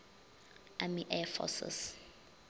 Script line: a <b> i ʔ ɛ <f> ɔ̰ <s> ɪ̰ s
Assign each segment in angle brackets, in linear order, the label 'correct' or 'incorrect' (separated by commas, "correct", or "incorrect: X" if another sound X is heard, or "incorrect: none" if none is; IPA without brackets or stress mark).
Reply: incorrect: m, correct, correct